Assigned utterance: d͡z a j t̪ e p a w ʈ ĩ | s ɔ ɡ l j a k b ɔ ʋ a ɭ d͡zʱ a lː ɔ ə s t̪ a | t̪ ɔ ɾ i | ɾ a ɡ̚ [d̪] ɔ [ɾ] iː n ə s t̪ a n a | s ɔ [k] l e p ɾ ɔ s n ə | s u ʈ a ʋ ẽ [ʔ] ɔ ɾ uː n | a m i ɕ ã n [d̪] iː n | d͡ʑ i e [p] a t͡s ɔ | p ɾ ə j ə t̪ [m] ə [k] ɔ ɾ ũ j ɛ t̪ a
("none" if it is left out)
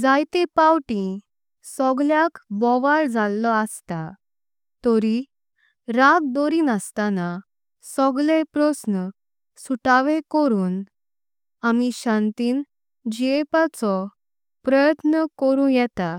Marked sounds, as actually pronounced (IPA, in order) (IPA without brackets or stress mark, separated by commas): d̪, ɾ, ɡ, k, t̪, p, n, k